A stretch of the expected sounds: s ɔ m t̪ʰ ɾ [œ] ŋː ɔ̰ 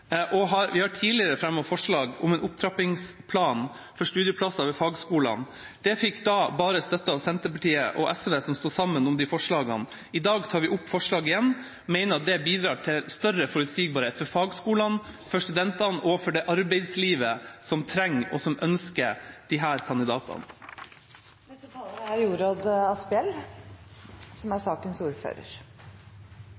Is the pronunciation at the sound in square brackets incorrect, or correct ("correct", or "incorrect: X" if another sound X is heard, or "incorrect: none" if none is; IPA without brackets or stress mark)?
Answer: incorrect: ɛ